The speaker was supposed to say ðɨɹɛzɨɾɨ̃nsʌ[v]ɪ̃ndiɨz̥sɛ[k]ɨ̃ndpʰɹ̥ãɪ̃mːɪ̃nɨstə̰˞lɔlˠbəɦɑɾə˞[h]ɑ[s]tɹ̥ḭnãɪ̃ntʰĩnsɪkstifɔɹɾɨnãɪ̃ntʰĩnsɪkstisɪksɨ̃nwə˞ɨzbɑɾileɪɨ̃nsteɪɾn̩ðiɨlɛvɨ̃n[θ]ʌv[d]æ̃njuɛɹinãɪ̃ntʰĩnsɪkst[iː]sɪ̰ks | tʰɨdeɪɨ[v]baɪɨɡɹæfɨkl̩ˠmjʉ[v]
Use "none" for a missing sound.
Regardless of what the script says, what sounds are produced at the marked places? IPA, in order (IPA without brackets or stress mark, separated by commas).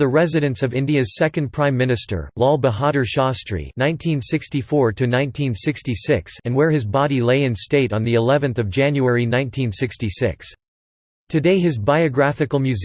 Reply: v, k, ʃ, s, θ, d͡ʒ, i, z, z